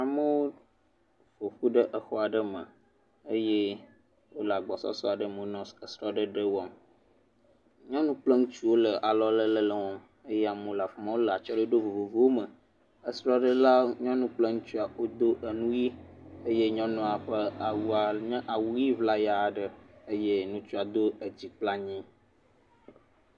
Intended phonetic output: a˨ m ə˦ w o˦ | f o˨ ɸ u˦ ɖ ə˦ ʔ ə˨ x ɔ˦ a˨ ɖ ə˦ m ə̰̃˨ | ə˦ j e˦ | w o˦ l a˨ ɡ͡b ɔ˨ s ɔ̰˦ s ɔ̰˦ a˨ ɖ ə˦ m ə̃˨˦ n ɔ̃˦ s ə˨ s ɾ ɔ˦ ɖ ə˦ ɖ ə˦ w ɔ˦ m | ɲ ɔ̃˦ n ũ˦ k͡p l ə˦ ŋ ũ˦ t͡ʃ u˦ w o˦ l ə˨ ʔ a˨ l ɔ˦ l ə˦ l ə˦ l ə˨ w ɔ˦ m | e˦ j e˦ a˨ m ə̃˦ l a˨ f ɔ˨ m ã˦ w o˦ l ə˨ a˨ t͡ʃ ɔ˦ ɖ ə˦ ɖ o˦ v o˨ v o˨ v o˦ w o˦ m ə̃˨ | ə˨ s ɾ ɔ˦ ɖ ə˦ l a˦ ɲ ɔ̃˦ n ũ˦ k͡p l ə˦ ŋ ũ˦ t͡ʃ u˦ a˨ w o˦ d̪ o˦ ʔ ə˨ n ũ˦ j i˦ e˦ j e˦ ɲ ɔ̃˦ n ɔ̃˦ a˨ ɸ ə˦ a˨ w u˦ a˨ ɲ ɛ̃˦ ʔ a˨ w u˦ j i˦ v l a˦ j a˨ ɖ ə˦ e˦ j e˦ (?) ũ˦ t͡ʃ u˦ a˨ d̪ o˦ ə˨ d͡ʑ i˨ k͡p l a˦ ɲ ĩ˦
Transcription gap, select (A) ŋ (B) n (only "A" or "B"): B